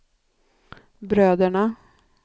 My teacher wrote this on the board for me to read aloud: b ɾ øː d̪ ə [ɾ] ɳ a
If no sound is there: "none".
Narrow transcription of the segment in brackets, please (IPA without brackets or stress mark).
none